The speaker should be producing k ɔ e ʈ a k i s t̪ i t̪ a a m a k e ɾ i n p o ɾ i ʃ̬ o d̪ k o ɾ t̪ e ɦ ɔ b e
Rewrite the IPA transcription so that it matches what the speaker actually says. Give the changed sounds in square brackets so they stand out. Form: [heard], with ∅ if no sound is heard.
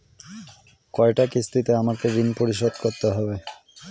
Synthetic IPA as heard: k ɔ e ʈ a k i s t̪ i t̪ [e] a m a k e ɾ i n p o ɾ i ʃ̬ o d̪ k o ɾ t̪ e ɦ ɔ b e